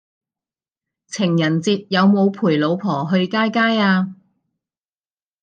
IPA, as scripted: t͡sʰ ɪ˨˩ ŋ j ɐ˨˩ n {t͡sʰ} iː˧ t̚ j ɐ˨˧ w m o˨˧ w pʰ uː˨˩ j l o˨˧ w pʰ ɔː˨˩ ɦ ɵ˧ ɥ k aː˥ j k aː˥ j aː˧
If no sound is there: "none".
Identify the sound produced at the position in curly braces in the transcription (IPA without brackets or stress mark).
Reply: t͡s